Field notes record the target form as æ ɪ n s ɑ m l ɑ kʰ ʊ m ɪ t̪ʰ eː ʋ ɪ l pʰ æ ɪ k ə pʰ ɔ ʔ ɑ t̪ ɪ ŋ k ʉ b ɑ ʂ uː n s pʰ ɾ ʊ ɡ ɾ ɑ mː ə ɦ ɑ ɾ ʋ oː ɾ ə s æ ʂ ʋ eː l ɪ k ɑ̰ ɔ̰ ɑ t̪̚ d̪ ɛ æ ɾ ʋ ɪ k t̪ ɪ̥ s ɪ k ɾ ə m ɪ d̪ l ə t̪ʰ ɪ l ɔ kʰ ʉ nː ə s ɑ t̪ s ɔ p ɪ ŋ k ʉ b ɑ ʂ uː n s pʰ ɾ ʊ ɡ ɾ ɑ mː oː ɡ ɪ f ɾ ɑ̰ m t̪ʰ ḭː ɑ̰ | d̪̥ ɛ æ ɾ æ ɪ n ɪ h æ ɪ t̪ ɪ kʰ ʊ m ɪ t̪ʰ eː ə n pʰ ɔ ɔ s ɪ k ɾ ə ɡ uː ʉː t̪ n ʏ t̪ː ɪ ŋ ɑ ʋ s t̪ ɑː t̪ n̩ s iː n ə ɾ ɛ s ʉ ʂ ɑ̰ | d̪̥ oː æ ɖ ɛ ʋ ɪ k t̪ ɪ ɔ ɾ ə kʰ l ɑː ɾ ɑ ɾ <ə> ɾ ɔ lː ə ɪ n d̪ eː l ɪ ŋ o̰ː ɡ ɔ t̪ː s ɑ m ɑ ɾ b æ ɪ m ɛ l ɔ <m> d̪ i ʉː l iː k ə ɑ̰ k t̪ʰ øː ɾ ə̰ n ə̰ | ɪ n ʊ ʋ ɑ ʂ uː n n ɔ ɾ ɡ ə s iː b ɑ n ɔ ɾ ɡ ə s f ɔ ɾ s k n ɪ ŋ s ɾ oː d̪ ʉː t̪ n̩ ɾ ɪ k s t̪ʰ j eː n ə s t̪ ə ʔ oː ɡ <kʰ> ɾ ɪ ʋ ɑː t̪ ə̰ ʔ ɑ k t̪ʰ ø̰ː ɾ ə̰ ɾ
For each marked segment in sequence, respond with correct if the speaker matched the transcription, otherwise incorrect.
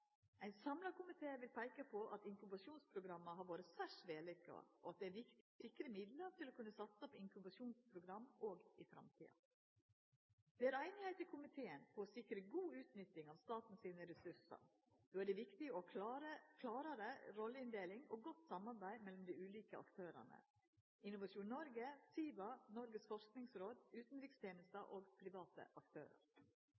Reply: correct, correct, incorrect

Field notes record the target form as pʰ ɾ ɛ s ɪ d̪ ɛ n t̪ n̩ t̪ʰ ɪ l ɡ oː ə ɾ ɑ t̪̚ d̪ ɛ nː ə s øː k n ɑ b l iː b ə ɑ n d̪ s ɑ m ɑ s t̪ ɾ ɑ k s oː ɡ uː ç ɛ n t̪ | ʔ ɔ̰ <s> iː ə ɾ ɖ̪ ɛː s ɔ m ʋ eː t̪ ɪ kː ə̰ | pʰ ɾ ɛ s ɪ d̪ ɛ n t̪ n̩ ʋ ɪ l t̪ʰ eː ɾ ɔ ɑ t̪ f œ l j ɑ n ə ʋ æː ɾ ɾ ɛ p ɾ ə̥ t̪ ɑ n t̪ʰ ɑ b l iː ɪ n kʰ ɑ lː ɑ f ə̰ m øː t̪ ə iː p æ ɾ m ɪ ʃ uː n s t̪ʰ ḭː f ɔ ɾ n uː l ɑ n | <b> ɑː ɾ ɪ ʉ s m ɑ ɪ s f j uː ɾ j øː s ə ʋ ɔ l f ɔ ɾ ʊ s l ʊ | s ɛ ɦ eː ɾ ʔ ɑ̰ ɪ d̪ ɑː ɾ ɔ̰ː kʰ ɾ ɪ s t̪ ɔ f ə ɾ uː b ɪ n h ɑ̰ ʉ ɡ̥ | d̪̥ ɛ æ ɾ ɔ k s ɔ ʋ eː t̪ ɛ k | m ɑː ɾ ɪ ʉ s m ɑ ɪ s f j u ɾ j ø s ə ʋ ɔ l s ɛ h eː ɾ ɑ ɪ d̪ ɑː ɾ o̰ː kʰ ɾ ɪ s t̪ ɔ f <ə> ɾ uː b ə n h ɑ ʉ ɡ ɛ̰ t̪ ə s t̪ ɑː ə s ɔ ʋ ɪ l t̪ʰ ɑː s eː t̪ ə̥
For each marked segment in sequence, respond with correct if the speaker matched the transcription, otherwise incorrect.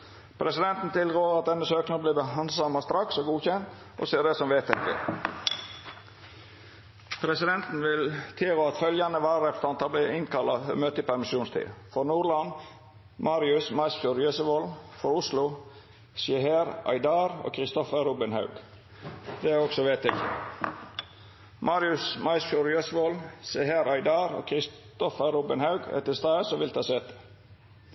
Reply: correct, incorrect, correct

